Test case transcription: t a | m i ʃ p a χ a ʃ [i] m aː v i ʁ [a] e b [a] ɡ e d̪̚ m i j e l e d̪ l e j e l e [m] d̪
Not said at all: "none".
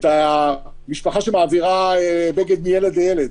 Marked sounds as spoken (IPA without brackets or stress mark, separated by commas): e, a, e, none